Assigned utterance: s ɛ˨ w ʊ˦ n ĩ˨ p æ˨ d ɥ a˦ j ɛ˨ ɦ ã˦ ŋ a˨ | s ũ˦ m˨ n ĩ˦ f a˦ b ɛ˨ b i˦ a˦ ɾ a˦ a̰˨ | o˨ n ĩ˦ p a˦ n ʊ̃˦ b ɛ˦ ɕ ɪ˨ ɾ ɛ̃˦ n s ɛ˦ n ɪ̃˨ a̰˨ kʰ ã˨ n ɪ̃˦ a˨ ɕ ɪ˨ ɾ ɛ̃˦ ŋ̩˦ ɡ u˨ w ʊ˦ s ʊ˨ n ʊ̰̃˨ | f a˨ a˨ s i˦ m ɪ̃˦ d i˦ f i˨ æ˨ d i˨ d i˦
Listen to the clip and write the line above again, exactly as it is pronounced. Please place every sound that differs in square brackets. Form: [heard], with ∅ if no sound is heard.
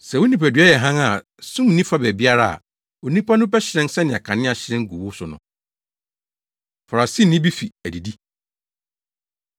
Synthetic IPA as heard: s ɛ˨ w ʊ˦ n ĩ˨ p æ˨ d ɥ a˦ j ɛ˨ ɦ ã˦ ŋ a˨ | s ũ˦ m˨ n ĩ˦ f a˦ b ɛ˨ b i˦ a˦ ɾ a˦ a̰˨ | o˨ n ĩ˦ p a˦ n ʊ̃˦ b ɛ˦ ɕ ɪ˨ ɾ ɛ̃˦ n s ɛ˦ n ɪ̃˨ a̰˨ kʰ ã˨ n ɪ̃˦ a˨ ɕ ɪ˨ ɾ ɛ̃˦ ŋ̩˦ ɡ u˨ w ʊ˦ s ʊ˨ n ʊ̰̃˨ | f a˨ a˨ s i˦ [n] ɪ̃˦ [b] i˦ f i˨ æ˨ d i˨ d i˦